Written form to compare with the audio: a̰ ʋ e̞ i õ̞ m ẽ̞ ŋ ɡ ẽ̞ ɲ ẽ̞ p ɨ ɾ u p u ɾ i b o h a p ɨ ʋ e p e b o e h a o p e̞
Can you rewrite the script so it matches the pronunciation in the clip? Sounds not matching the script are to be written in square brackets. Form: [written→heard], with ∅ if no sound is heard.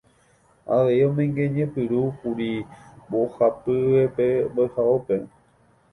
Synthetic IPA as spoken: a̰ ʋ e̞ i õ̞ m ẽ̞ ŋ ɡ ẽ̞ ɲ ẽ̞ p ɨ ɾ u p u ɾ i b o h a p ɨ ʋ e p e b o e h a o p e̞